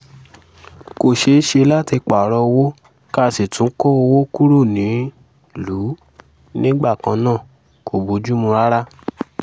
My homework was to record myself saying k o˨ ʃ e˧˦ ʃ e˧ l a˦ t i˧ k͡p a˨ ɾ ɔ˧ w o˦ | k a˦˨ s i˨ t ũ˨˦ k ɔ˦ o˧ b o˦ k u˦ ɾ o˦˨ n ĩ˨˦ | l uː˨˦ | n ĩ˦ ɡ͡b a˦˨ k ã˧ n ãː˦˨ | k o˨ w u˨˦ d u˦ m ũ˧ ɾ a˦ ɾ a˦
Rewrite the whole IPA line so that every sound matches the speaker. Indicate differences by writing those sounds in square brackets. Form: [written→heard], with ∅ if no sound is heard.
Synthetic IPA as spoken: k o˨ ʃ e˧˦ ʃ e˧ l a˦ t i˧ k͡p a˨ ɾ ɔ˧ w o˦ | k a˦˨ s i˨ t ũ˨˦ k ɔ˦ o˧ [b→w] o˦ k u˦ ɾ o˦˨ n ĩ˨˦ | l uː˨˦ | n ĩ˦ ɡ͡b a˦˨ k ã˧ n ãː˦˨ | k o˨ [w→b] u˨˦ [d→d͡ʒ] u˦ m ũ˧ ɾ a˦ ɾ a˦